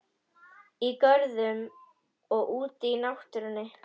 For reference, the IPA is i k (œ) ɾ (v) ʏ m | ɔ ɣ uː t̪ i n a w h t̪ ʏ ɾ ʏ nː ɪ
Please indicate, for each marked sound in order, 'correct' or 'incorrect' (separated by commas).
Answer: correct, incorrect